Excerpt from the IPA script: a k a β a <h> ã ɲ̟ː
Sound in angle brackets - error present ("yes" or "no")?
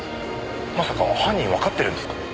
no